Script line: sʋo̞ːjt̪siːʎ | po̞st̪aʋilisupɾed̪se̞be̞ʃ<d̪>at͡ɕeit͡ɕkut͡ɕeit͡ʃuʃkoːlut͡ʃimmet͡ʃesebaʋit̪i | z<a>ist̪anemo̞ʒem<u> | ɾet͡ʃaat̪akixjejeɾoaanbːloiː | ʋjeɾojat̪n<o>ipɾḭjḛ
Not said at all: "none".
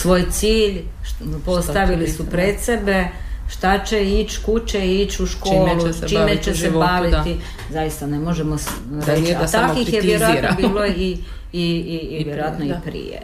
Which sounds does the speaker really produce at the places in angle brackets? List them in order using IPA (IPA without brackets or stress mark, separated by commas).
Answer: t̪, a, o, o